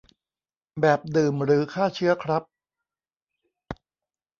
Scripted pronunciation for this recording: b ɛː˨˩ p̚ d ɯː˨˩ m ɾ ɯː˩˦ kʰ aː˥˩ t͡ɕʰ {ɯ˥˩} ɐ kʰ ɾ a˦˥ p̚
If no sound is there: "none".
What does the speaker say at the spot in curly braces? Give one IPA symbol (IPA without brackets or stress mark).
ɯ˦˥